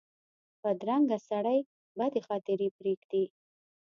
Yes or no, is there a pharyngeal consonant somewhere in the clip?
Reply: no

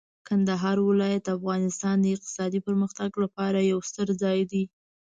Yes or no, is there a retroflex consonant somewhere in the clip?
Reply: no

